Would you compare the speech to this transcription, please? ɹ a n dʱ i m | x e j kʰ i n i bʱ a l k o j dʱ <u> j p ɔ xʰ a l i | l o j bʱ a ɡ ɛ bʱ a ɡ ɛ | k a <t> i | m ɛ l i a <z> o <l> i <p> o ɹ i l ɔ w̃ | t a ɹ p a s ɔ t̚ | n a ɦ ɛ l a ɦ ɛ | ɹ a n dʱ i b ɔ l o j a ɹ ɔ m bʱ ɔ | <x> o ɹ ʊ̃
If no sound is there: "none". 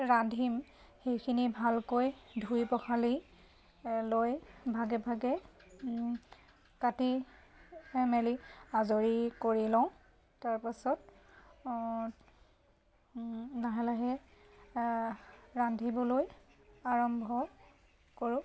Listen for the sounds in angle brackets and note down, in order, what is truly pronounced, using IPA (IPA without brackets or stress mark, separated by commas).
u, t, z, ɹ, k, k